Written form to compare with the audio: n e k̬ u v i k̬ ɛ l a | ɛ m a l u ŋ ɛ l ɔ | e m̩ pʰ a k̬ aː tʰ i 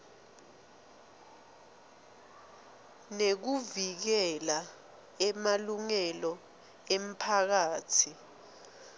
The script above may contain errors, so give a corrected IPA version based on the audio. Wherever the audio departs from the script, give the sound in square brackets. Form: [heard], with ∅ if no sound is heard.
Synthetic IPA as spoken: n e k̬ u v i k̬ ɛ l a | ɛ m a l u ŋ ɛ l ɔ | e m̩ pʰ a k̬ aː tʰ i